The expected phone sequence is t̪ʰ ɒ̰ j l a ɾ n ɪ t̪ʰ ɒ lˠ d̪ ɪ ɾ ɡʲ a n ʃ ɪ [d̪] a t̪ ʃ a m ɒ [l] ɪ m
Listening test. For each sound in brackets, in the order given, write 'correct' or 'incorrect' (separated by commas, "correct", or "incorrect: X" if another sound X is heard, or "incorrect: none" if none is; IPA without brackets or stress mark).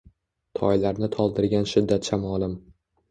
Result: incorrect: d̪ː, correct